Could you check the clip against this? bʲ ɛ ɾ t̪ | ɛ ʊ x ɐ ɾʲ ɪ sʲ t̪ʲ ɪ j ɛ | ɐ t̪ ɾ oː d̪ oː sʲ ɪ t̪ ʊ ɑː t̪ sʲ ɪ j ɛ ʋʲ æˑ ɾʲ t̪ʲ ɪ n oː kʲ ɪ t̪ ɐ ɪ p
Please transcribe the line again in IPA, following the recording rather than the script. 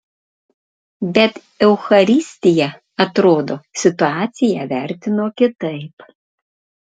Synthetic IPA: bʲ ɛ t̪ | ɛ ʊ x ɐ ɾʲ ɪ sʲ t̪ʲ ɪ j ɛ | ɐ t̪ ɾ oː d̪ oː sʲ ɪ t̪ ʊ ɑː t̪ sʲ ɪ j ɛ ʋʲ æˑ ɾʲ t̪ʲ ɪ n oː kʲ ɪ t̪ ɐ ɪ p